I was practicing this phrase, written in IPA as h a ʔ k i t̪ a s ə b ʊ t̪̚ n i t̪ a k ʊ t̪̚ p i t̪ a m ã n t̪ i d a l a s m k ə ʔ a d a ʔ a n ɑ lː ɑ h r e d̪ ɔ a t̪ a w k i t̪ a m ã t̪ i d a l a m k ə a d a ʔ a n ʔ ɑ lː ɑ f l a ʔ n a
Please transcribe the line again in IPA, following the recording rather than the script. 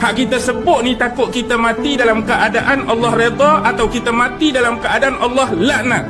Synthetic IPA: h a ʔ k i t̪ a s ə b ʊ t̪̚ n i t̪ a k ʊ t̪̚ k i t̪ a m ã t̪ i d a l a m k ə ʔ a d a ʔ a n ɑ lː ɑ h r e d̪ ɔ a t̪ a w k i t̪ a m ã t̪ i d a l a m k ə a d a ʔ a n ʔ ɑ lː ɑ h l a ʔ n a